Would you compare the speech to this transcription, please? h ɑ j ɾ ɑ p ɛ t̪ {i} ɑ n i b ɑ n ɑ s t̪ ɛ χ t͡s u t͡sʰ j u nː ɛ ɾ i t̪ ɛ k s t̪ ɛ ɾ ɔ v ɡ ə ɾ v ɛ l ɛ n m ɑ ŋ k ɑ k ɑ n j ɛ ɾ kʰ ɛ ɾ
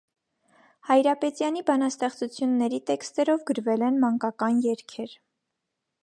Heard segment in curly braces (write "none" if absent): j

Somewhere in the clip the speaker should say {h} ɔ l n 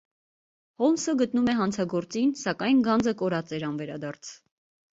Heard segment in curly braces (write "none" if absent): h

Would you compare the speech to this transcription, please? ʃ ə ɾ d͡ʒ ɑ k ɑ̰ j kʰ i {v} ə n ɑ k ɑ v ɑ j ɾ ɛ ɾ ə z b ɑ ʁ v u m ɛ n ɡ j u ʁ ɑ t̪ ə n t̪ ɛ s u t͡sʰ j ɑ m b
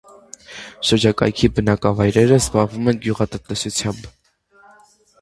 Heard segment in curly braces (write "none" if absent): b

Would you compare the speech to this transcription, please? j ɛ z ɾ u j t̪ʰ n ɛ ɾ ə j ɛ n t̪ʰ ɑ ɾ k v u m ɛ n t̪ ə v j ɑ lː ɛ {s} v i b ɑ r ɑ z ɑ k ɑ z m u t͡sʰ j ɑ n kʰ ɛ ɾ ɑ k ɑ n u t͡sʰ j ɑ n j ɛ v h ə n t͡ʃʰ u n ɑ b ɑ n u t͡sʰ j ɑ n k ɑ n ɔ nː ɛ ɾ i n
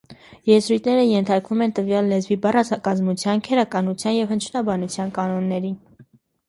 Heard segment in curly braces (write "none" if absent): z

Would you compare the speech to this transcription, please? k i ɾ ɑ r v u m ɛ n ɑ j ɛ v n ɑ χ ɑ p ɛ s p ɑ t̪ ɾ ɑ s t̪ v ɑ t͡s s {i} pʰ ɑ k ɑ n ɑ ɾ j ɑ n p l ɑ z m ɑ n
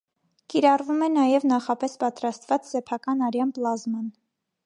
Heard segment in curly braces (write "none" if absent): ɛ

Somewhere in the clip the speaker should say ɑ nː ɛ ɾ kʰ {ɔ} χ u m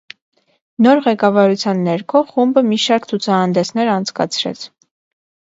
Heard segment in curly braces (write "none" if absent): ɔ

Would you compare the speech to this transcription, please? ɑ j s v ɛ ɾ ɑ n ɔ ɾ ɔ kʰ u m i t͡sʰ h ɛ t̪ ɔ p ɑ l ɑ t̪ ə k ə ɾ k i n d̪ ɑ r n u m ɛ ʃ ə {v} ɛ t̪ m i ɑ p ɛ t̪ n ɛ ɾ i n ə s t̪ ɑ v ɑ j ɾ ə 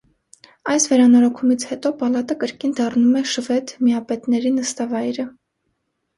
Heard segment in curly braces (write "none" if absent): v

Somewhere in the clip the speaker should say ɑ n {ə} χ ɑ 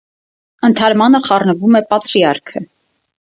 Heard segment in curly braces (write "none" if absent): ə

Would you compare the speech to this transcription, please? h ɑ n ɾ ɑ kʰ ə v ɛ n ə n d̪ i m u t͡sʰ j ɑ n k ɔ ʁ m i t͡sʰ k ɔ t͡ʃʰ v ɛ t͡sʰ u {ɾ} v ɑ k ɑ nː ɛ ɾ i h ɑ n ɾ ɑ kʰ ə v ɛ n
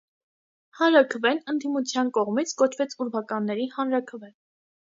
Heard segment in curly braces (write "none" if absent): ɾ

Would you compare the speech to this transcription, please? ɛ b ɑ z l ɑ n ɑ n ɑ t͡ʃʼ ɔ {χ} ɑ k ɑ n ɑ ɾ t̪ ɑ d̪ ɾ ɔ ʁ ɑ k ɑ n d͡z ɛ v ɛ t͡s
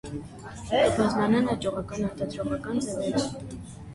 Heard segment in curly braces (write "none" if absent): ʁ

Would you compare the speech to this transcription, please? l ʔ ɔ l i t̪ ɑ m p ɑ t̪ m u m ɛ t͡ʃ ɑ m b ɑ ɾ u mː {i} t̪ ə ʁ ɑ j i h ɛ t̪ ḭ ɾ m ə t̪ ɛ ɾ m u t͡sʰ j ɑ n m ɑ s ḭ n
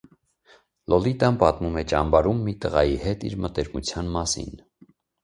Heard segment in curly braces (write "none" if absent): i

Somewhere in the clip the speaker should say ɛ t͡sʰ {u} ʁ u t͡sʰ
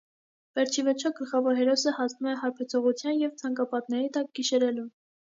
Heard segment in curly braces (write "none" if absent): ɔ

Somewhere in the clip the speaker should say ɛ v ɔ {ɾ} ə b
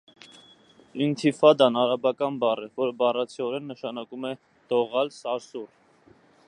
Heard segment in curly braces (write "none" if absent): ɾ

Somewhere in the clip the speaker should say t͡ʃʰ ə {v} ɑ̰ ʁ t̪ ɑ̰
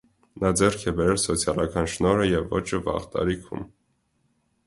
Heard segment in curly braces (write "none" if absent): v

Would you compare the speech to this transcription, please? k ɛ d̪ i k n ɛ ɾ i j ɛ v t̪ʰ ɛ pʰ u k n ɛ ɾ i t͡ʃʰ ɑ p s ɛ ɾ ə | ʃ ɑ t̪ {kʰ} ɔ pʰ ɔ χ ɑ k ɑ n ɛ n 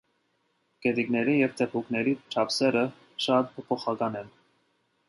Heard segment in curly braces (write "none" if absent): pʰ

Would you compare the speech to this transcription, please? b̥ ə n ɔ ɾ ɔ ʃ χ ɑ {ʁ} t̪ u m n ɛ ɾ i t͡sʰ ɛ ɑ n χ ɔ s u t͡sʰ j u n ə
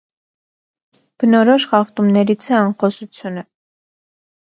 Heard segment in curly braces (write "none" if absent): χ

